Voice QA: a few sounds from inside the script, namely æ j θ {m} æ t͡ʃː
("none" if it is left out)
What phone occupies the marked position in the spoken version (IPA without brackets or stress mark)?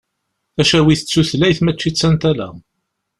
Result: m